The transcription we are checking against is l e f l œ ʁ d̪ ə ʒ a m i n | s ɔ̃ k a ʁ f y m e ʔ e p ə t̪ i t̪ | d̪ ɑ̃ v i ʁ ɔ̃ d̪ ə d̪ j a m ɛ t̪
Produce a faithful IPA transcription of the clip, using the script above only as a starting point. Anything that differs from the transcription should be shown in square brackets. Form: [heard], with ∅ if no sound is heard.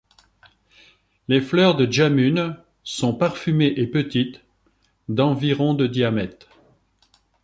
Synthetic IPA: l e f l œ ʁ d̪ ə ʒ a m [y] n | s ɔ̃ [p] a ʁ f y m e ʔ e p ə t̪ i t̪ | d̪ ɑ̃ v i ʁ ɔ̃ d̪ ə d̪ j a m ɛ t̪